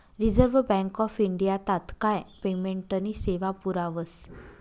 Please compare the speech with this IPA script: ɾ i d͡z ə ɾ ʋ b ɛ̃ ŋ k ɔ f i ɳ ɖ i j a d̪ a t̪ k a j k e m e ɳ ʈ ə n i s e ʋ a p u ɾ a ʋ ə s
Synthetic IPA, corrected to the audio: ɾ i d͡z ə ɾ ʋ b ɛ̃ ŋ k ɔ f i ɳ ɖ i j a t̪ a t̪ k a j p e m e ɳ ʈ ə n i s e ʋ a p u ɾ a ʋ ə s